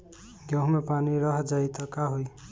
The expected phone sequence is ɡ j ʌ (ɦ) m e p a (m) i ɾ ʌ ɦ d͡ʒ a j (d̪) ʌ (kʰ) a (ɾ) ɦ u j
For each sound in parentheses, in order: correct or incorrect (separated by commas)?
correct, incorrect, incorrect, incorrect, incorrect